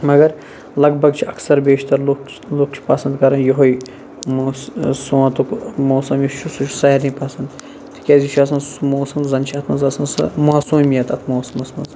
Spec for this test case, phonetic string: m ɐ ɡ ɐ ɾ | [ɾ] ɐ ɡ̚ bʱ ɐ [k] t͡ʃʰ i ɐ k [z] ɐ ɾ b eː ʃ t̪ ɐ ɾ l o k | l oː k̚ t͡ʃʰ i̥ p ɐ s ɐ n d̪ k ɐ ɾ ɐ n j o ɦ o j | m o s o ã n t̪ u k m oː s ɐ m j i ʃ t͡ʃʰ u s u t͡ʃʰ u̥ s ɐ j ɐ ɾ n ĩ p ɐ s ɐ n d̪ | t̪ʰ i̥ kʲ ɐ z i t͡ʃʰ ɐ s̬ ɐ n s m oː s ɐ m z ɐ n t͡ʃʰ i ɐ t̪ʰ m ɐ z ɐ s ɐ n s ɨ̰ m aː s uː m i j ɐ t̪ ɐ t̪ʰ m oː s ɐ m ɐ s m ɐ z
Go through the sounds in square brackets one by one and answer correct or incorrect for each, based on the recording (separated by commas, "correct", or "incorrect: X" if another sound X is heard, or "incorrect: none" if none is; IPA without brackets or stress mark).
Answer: incorrect: l, incorrect: ɡ, incorrect: s